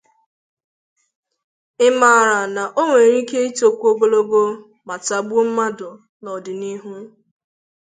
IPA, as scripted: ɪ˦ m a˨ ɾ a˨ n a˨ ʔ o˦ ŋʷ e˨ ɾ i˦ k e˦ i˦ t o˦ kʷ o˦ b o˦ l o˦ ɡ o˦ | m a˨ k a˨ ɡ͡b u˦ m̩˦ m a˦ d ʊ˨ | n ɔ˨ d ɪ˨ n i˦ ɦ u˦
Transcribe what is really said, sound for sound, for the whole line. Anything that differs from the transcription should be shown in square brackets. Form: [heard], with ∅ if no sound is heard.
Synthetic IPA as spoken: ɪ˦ m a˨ ɾ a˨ n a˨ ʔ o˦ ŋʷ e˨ ɾ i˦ k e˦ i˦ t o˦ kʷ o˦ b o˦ l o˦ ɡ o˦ | m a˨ [t] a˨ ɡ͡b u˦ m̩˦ m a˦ d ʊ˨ | n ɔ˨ d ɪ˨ n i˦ ɦ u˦